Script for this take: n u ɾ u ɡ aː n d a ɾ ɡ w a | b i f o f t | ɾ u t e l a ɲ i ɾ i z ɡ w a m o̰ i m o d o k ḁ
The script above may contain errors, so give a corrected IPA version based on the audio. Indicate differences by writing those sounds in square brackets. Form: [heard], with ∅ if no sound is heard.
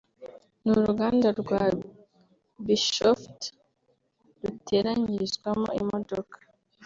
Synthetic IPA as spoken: n u ɾ u ɡ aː n d a ɾ ɡ w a | b i [ʃ] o f t | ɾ u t e [ɾ] a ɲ i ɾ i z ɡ w a m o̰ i m o d o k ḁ